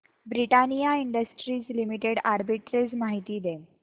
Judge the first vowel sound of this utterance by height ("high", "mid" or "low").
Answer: high